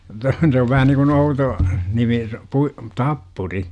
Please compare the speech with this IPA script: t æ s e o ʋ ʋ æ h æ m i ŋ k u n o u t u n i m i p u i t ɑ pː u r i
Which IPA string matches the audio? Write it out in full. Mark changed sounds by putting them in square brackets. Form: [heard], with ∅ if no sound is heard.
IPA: t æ s e o ʋ ʋ æ h æ [n] i ŋ k u n o u t [o] n i m i p u i t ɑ pː u r i